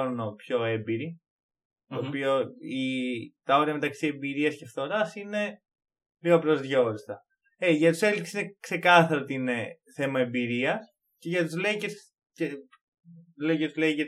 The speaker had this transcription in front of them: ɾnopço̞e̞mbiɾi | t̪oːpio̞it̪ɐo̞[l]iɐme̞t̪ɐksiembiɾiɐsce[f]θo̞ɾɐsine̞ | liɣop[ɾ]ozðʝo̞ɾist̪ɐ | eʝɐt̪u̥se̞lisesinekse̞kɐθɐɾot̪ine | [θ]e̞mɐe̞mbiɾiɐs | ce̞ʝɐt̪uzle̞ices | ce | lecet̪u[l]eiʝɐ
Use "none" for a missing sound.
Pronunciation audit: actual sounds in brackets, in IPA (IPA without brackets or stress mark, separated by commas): ɾ, f, ɾ, θ, l